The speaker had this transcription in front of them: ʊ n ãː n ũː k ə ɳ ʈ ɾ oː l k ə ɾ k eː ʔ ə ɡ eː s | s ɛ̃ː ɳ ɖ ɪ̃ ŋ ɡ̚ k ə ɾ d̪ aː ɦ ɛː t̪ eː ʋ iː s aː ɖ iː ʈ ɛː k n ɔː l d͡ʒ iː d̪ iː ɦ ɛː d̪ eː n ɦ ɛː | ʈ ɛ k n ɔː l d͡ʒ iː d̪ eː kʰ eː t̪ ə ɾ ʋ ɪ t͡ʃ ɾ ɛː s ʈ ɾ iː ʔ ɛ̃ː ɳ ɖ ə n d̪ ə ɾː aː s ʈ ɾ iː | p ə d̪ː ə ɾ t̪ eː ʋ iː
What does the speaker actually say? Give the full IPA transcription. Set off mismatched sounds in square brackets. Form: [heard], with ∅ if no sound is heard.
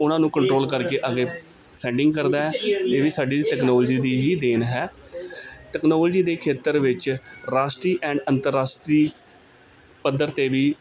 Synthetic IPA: ʊ n ãː n ũː k ə ɳ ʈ ɾ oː l k ə ɾ k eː ʔ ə ɡ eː [∅] | s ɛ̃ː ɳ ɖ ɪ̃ ŋ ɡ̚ k ə ɾ d̪ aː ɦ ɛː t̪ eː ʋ iː s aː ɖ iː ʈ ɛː k n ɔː l d͡ʒ iː d̪ iː ɦ [iː] d̪ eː n ɦ ɛː | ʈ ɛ k n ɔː l d͡ʒ iː d̪ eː kʰ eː t̪ ə ɾ ʋ ɪ t͡ʃ ɾ [aː] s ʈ ɾ iː ʔ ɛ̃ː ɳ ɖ ə n [t̪] ə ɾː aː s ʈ ɾ iː | p ə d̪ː ə ɾ t̪ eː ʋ iː